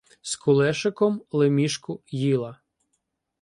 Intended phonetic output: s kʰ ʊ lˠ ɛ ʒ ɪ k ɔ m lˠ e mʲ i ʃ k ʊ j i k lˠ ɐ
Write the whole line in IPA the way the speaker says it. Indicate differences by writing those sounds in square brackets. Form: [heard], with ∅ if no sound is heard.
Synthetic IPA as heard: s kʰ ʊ lˠ ɛ [ʃ] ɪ k ɔ m lˠ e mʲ i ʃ k ʊ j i [∅] lˠ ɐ